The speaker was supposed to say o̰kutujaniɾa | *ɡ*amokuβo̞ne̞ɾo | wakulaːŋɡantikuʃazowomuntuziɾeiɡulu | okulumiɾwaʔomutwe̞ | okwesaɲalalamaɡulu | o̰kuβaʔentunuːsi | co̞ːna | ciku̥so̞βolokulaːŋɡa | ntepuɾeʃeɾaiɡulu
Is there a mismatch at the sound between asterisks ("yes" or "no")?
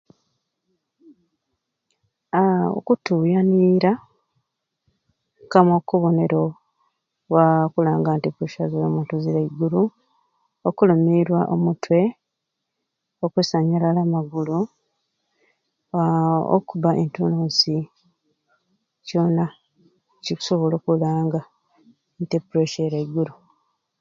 yes